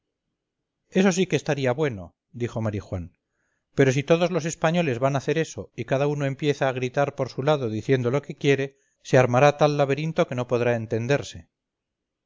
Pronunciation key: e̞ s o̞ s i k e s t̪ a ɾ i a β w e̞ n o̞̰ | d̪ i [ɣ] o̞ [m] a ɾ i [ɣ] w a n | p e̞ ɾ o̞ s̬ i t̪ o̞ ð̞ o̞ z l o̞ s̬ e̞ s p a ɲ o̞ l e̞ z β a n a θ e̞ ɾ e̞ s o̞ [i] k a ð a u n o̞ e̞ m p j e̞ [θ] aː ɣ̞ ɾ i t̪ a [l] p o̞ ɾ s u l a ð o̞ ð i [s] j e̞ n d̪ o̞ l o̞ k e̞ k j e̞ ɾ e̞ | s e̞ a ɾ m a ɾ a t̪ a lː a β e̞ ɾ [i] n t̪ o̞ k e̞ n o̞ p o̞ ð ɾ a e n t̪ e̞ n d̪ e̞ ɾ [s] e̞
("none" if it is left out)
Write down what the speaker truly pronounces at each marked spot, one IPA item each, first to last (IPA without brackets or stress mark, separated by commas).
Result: x, m, x, i, θ, ɾ, θ, i, s